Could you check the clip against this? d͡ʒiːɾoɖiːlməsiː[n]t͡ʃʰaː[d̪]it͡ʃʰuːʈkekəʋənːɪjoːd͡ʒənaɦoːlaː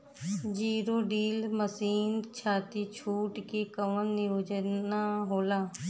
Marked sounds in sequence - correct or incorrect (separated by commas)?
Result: correct, incorrect